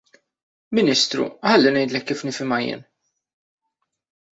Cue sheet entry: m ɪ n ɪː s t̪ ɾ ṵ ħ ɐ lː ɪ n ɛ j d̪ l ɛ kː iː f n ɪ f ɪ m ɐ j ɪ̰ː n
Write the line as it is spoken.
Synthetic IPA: m ɪ n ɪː s t̪ ɾ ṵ ħ ɐ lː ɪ n ɛ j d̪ l ɛ kː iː f n ɪ f ɪ m ɐ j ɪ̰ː n